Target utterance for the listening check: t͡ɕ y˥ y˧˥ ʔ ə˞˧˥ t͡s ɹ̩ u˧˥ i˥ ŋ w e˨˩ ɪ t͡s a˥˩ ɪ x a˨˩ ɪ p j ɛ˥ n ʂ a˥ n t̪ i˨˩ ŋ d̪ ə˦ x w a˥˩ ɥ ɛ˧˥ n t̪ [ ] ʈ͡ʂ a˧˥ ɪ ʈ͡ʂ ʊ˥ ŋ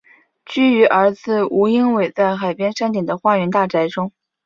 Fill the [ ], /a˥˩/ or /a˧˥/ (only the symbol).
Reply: a˥˩